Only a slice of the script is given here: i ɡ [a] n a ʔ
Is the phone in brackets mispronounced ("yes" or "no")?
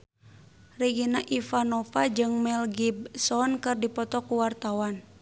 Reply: yes